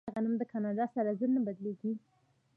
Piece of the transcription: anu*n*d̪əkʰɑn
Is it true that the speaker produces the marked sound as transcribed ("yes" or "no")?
no